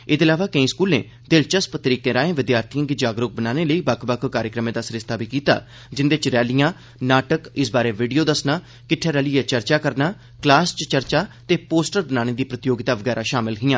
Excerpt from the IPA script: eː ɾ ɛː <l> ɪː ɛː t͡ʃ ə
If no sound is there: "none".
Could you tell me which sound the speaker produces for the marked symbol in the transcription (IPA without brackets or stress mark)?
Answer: l